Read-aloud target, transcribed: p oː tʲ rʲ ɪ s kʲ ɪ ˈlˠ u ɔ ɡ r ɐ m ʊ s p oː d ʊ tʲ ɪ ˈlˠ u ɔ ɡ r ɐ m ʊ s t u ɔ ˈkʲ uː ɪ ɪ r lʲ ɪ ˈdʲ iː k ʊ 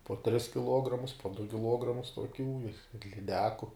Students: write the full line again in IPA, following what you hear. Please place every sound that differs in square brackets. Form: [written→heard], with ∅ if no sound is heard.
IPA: p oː tʲ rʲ ɪ s kʲ ɪ ˈlˠ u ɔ ɡ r ɐ m ʊ s p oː d ʊ [tʲ→kʲ] ɪ ˈlˠ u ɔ ɡ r ɐ m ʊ s t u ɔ ˈkʲ uː ɪ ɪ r lʲ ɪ ˈdʲ [iː→æː] k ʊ